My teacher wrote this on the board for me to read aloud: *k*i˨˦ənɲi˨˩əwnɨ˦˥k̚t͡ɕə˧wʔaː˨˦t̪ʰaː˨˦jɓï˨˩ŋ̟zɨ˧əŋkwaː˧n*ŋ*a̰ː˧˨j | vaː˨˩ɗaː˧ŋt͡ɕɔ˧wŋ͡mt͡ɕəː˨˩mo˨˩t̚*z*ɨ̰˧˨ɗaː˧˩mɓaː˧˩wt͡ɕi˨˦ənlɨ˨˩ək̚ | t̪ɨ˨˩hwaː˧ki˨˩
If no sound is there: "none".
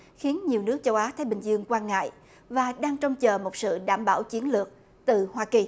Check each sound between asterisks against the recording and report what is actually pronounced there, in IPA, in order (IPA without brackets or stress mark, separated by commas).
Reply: x, ŋ, s